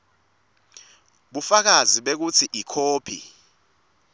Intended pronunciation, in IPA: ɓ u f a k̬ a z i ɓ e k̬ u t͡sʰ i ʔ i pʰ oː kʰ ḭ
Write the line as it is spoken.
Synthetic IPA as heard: ɓ u f a k̬ a z i ɓ e k̬ u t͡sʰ i ʔ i kʰ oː pʰ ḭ